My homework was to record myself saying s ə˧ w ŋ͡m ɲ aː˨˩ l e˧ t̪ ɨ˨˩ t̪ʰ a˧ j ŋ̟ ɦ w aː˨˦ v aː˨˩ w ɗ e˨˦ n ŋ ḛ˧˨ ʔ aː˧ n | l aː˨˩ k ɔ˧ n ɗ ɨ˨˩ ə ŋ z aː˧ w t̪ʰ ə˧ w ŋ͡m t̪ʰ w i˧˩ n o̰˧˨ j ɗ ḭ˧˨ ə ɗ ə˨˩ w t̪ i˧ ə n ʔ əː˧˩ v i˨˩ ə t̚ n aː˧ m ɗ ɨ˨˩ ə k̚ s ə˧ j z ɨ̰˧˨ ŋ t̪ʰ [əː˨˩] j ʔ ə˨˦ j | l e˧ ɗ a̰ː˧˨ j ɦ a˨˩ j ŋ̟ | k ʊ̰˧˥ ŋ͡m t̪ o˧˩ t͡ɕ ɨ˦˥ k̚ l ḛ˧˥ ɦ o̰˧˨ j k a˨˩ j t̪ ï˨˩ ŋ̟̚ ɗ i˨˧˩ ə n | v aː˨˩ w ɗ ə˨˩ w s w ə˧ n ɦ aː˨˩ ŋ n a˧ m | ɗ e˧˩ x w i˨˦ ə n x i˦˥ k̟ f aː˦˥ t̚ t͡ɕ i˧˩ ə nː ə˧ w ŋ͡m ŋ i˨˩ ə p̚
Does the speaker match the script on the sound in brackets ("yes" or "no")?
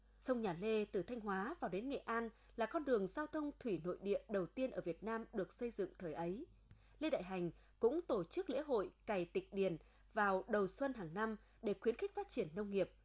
yes